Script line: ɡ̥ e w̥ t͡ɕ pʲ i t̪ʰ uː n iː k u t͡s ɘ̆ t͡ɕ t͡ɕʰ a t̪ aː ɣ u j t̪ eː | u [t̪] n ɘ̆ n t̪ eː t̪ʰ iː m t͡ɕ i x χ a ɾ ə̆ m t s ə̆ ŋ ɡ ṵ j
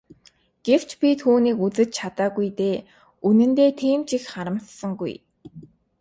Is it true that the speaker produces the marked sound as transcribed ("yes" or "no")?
no